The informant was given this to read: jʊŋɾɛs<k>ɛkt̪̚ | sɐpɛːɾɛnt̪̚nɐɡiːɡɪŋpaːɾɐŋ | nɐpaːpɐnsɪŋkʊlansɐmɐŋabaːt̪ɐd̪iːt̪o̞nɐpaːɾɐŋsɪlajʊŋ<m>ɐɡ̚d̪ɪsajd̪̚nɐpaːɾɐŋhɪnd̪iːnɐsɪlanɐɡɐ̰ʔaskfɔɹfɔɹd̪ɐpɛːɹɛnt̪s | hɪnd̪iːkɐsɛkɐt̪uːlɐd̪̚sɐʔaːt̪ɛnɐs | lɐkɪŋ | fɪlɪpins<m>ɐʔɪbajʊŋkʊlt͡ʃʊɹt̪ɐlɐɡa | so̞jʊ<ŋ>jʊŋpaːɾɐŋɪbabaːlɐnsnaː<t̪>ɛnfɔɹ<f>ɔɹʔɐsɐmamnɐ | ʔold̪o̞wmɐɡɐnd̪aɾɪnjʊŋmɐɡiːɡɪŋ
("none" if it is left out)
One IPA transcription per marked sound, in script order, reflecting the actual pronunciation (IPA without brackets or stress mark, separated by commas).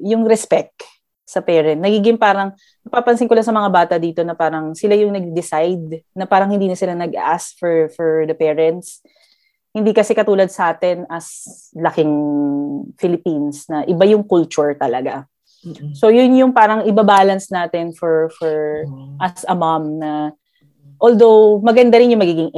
p, n, n, n, t̪, f